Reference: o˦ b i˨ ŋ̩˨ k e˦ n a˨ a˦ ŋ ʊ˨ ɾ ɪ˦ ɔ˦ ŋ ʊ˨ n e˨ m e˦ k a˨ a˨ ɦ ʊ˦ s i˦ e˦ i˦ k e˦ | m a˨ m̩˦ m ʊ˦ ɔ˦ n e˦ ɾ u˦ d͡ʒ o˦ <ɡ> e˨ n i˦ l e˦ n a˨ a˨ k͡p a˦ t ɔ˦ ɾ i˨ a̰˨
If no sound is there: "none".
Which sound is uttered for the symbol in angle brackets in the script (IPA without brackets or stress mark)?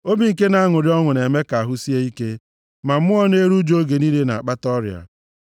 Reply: ɡ